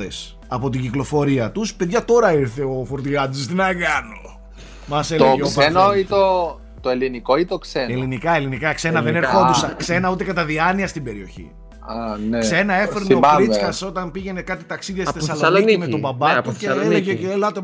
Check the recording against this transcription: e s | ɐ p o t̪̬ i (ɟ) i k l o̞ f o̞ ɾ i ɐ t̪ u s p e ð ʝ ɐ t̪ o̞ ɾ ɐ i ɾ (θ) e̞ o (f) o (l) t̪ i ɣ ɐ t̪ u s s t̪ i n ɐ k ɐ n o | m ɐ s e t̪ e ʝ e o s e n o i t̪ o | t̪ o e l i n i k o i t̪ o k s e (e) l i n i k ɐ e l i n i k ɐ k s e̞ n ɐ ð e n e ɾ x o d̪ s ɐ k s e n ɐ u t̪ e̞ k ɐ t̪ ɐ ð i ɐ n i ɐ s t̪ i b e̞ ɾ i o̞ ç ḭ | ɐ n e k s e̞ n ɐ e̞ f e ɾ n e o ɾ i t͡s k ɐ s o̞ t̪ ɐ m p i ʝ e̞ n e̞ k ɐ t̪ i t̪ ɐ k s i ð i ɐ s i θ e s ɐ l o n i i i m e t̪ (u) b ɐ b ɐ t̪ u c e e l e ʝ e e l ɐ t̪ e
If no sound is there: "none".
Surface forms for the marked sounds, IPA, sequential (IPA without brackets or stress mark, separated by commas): ɟ, θ, f, ɾ, e, o